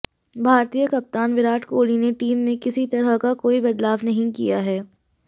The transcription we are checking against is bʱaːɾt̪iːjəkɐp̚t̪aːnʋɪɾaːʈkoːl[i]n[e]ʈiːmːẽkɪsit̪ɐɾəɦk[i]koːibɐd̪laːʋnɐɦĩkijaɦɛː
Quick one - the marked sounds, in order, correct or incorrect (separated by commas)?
correct, correct, incorrect